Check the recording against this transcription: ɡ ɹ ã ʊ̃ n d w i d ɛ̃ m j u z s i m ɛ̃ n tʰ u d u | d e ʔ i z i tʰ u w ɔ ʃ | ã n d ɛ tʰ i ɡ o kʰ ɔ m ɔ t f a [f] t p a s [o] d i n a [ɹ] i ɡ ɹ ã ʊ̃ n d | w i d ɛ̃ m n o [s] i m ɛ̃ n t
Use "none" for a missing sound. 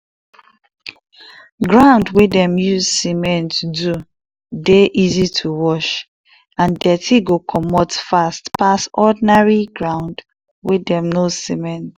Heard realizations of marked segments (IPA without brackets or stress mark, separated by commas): s, ɔ, ɹ, s